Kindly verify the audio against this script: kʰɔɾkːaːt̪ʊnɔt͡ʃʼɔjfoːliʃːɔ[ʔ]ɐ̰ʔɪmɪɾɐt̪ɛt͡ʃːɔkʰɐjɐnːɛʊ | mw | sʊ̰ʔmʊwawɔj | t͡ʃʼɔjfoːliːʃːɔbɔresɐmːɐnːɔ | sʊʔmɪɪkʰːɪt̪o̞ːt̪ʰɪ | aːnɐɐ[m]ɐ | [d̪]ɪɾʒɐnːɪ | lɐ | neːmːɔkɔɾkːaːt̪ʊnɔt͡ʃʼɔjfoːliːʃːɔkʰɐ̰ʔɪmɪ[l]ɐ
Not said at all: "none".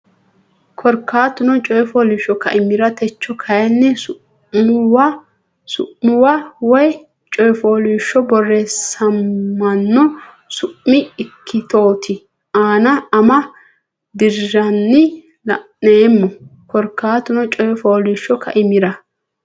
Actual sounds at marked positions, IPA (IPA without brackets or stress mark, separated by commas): k, m, d̪, ɾ